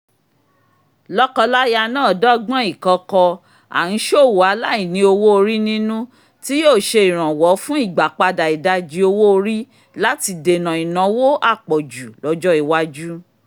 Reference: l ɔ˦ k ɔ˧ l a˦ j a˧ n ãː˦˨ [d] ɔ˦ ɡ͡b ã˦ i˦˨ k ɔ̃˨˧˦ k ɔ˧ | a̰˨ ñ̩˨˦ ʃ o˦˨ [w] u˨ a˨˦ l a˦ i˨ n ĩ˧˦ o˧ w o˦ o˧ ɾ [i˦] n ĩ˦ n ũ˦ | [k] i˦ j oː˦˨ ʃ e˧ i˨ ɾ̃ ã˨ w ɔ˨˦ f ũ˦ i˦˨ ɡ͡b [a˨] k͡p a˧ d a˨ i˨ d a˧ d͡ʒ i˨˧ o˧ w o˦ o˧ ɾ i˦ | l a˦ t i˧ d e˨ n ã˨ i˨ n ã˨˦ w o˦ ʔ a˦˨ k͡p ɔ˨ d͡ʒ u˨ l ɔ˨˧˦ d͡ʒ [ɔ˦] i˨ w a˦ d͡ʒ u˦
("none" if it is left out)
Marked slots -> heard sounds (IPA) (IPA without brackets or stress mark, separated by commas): d, w, i˦, t, a˨, ɔ˦